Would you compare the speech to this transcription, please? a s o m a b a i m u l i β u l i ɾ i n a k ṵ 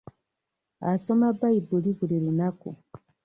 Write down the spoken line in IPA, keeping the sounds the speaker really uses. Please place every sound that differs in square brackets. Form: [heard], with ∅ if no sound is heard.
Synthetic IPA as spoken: a s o m a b a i [b] u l i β u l i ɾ i n a k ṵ

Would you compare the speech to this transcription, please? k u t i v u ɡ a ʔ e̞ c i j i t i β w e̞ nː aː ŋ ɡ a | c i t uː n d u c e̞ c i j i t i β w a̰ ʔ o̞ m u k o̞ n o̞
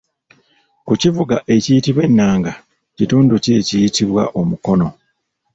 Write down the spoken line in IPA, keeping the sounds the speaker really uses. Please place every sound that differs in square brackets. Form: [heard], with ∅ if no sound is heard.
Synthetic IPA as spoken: k u [c] i v u ɡ a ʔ e̞ c i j i t i β w e̞ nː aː ŋ ɡ a | c i t uː n d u c e̞ c i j i t i β w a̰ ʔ o̞ m u k o̞ n o̞

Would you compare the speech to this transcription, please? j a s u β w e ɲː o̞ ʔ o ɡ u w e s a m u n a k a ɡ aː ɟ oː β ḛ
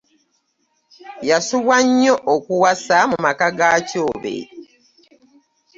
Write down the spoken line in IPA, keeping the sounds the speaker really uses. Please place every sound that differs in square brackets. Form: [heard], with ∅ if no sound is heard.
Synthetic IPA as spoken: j a s u β w [a] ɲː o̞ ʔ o [k] u w [a] s a m u [m] a k a ɡ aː [c] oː β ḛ

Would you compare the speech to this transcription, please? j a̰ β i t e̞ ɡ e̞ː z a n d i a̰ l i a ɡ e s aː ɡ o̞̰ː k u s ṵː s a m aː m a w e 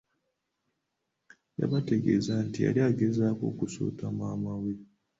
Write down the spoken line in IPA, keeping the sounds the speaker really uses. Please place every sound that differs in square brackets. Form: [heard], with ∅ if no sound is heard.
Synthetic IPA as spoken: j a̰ β [a] t e̞ ɡ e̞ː z a n [t] i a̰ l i a ɡ e [z] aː [k] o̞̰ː k u s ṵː [t] a m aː m a w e

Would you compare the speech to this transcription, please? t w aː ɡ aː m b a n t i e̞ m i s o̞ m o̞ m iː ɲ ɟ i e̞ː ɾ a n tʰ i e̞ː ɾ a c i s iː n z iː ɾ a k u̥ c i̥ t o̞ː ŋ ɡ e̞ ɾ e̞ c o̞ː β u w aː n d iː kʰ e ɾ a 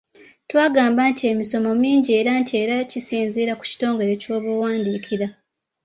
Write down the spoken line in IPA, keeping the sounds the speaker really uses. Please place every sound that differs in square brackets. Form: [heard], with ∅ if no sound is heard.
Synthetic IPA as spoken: t w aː ɡ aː m b a n t i e̞ m i s o̞ m o̞ m iː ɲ ɟ i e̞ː ɾ a n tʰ i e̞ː ɾ a c i s iː n z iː ɾ a k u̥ c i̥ t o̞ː ŋ ɡ e̞ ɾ e̞ c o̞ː β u w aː n d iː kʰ [i] ɾ a

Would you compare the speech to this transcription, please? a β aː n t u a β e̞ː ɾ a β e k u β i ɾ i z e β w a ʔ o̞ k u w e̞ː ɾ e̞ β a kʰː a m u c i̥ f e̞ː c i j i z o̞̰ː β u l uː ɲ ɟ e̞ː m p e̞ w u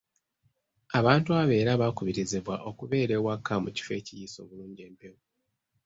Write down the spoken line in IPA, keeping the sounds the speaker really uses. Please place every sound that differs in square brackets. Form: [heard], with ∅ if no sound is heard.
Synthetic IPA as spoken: a β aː n t u a β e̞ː ɾ a β [a] k u β i ɾ i z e β w a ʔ o̞ k u [β] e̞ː ɾ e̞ [w] a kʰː a m u c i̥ f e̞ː c i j i [s] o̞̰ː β u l uː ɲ ɟ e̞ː m p e̞ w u

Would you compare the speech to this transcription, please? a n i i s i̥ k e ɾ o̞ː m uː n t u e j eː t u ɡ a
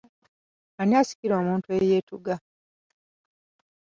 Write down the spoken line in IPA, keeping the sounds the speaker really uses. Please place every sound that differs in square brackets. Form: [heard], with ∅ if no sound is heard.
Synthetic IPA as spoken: a n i [a] s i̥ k [i] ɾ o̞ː m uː n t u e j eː t u ɡ a

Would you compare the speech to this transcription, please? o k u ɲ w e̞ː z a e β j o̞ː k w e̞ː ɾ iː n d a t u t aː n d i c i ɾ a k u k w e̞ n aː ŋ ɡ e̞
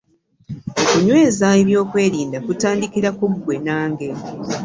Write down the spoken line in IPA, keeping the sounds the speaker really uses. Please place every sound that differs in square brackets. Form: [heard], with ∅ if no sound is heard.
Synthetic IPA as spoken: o k u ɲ w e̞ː z a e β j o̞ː k w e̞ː ɾ iː n d a [k] u t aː n d i [k] i ɾ a k u [ɡ] w e̞ n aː ŋ ɡ e̞

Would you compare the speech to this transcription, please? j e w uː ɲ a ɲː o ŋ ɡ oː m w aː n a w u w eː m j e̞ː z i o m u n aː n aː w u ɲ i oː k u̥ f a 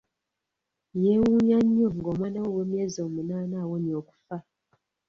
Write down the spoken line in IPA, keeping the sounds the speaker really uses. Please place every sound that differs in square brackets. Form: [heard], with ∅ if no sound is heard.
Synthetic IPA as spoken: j e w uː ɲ a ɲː o ŋ ɡ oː m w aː n a w [o] w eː m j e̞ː z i o m u n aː n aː w [o] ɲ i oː k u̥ f a

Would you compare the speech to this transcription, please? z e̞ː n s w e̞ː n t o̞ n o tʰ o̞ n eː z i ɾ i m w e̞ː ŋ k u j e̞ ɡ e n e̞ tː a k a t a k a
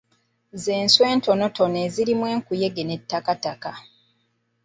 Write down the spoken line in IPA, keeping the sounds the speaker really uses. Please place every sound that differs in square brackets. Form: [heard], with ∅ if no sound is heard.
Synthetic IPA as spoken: z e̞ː n s w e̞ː n t o̞ n o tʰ o̞ n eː z i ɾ i m w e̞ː ŋ k u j e̞ ɡ e n e̞ tː a k a t a k a

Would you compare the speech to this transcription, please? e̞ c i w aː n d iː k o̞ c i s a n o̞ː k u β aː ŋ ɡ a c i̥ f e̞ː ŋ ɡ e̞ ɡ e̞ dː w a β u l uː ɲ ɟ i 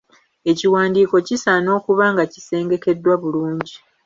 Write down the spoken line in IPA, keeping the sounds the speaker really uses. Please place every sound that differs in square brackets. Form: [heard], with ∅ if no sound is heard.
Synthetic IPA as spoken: e̞ c i w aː n d iː k o̞ c i s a n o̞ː k u β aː ŋ ɡ a c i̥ [s] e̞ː ŋ ɡ e̞ [k] e̞ dː w a β u l uː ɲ ɟ i

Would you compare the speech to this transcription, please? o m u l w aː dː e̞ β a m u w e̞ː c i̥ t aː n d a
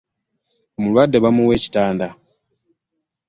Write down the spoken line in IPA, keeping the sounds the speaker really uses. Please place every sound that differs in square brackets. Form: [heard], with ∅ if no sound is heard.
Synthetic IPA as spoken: o m u l w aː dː e̞ β a m u w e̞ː c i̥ t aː n d a

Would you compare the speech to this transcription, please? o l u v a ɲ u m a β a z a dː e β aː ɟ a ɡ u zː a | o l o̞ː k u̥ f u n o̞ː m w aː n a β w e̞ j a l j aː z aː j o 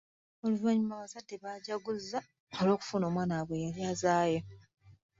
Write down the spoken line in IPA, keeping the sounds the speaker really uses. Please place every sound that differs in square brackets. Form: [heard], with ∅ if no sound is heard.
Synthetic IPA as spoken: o l u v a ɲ u m a β a z a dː e β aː ɟ a ɡ u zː a | o l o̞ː k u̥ f u n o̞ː m w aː n a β w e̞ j a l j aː z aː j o

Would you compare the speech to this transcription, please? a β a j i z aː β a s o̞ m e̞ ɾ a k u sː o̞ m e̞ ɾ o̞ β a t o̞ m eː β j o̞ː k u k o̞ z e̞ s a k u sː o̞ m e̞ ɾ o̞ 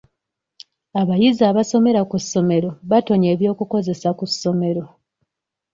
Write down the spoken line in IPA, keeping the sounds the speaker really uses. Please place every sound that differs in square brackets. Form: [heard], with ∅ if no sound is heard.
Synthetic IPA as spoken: a β a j i z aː β a s o̞ m e̞ ɾ a k u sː o̞ m e̞ ɾ o̞ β a t o̞ [ɲ] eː β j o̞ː k u k o̞ z e̞ s a k u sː o̞ m e̞ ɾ o̞

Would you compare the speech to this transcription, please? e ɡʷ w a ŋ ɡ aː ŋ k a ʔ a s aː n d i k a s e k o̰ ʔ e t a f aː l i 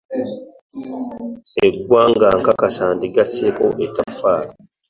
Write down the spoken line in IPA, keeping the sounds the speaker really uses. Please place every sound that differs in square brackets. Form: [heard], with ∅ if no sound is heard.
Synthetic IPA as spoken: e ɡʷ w a ŋ ɡ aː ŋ k a [k] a s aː n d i [ɡ] a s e k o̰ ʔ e t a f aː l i

